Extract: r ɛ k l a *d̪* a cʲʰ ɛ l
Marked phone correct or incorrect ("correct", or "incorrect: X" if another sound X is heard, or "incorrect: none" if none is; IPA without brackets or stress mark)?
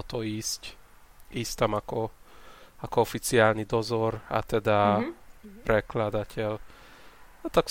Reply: correct